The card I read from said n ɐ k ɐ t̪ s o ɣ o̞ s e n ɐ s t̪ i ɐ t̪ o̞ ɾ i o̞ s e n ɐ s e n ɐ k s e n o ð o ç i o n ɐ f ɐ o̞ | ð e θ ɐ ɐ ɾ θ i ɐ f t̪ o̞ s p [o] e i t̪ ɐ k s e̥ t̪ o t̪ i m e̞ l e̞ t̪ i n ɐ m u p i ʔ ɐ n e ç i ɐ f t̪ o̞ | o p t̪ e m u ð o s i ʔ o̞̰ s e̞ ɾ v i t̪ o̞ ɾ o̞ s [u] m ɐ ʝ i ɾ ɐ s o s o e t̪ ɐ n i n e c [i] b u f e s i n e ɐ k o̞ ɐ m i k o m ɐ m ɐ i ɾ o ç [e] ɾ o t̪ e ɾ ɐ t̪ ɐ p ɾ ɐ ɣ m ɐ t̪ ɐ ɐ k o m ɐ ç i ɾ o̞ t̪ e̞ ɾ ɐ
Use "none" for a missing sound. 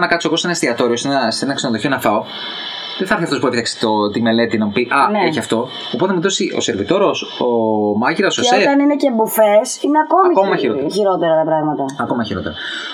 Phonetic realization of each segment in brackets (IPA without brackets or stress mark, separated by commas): u, o, e, i